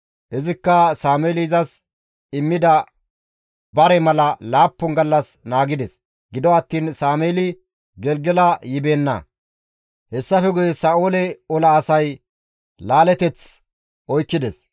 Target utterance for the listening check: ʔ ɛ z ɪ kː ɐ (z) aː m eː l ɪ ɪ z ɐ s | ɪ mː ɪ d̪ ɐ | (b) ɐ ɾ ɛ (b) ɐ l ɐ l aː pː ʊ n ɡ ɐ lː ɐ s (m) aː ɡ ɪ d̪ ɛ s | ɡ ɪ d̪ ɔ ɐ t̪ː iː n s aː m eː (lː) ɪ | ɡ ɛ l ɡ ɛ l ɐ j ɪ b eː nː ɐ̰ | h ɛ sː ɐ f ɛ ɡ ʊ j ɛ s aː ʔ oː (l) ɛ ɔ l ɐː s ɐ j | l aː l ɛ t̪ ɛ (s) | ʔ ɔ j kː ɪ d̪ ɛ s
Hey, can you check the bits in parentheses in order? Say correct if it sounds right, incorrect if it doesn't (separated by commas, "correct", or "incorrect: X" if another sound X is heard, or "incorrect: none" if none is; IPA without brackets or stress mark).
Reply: incorrect: s, correct, incorrect: m, incorrect: n, incorrect: l, correct, incorrect: t͡s